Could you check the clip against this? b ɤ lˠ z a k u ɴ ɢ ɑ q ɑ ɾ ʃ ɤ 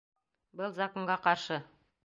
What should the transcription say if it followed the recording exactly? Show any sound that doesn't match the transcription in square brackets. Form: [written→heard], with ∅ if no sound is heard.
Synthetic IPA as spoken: b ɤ lˠ z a k [u→o] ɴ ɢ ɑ q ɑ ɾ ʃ ɤ